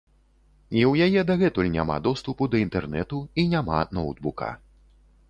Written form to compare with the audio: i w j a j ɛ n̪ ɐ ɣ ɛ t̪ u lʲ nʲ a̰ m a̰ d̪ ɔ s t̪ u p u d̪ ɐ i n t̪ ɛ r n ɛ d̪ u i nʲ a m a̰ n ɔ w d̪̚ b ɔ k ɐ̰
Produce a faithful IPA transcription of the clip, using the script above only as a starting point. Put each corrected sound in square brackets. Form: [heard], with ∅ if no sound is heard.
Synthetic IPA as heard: i w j a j ɛ [d̪] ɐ ɣ ɛ t̪ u lʲ nʲ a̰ m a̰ d̪ ɔ s t̪ u p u d̪ ɐ i n t̪ ɛ r n ɛ [t̪] u i nʲ a m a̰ n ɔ w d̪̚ b [u] k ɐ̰

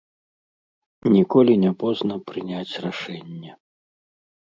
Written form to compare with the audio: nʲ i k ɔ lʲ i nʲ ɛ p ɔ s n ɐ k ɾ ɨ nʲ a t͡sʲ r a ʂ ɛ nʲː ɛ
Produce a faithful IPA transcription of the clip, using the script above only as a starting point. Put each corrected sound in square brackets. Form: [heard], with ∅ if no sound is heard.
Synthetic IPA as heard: nʲ i k ɔ lʲ i nʲ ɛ p ɔ [z] n ɐ [p] ɾ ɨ nʲ a t͡sʲ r a ʂ ɛ nʲː ɛ

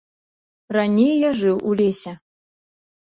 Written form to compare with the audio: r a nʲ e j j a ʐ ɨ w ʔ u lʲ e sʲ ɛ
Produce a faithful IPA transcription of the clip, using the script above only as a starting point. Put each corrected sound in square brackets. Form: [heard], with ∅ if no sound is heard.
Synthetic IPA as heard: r a nʲ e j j a ʐ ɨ w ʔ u lʲ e sʲ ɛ

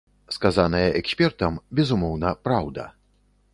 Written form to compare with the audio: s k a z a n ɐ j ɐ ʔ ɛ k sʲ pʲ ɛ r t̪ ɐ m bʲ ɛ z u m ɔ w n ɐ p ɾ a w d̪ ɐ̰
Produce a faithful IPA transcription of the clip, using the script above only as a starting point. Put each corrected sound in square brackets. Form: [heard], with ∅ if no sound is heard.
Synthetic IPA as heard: s k a z a n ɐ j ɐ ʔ ɛ k sʲ pʲ ɛ r t̪ ɐ m bʲ ɛ z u m ɔ w n ɐ p ɾ a w d̪ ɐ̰

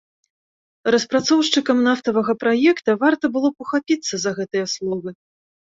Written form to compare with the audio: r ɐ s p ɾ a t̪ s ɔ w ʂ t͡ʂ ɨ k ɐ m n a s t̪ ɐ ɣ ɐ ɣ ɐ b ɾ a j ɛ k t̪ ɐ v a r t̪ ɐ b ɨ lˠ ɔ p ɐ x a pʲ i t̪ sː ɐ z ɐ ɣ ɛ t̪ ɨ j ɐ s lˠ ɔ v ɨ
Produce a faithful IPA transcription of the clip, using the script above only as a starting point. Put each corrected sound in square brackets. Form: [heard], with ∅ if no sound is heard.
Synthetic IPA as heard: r ɐ s p ɾ a t̪ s ɔ w ʂ t͡ʂ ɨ k ɐ m n a [f] t̪ ɐ [v] ɐ ɣ ɐ [p] ɾ a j ɛ k t̪ ɐ v a r t̪ ɐ b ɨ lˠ ɔ p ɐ x a pʲ i t̪ sː ɐ z ɐ ɣ ɛ t̪ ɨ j ɐ s lˠ ɔ v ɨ

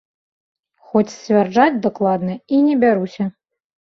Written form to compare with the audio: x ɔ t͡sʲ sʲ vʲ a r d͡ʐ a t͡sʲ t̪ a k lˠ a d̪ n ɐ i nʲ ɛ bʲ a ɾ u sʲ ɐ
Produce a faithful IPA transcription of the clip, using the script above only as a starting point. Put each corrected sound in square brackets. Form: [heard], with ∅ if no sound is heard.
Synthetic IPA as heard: x ɔ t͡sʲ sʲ vʲ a r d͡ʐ a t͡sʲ [d̪] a k lˠ a d̪ n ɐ i nʲ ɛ bʲ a ɾ u sʲ ɐ

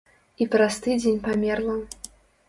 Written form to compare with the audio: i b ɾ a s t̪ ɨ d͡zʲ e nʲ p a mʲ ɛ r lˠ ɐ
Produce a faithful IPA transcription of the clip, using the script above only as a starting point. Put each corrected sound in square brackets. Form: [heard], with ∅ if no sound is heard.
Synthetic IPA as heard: i [p] ɾ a s t̪ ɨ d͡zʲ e nʲ p a mʲ ɛ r lˠ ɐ

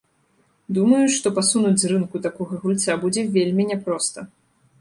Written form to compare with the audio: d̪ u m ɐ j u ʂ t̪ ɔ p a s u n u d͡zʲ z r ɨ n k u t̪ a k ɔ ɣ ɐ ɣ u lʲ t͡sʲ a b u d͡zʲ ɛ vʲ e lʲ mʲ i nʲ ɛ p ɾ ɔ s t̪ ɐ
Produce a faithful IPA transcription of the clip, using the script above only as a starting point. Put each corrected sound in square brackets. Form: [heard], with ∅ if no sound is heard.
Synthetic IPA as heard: d̪ u m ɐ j u ʂ t̪ ɔ p a s u n u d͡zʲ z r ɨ n k u t̪ a k ɔ ɣ ɐ ɣ u lʲ t͡sʲ a b u d͡zʲ ɛ vʲ e lʲ mʲ i nʲ ɛ p ɾ ɔ s t̪ ɐ

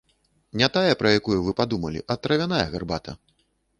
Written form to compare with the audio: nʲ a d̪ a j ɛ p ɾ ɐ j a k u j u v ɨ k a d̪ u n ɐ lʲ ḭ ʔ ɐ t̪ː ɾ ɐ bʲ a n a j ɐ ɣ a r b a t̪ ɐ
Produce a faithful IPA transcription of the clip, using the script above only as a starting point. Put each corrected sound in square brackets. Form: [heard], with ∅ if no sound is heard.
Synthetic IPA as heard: nʲ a [t̪] a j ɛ p ɾ ɐ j a k u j u v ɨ [p] a d̪ u [m] ɐ lʲ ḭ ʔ ɐ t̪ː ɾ ɐ [vʲ] a n a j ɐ ɣ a r b a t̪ ɐ

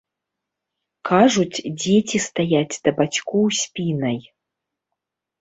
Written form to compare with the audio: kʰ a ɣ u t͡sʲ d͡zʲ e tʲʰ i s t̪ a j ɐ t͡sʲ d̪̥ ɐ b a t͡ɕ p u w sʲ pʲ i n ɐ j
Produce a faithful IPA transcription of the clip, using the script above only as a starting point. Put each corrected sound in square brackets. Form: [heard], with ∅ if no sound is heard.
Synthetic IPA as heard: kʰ a [ʐ] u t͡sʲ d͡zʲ e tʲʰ i s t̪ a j [a] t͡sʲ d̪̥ ɐ b a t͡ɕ [k] u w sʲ pʲ i n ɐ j

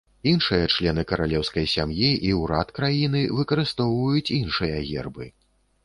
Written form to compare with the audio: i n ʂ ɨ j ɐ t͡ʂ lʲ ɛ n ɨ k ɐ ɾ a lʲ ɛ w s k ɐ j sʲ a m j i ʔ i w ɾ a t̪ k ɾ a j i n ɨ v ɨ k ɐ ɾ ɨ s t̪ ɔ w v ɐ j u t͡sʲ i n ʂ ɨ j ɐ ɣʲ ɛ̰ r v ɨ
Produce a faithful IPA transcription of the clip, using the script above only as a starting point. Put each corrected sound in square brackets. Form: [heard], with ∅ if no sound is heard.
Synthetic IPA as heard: i n ʂ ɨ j ɐ t͡ʂ lʲ ɛ n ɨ k ɐ ɾ a lʲ ɛ w s k ɐ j sʲ a m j i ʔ i w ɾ a t̪ k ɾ a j i n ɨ v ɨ k ɐ ɾ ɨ s t̪ ɔ w v ɐ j u t͡sʲ i n ʂ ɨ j ɐ ɣʲ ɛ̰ r [b] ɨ

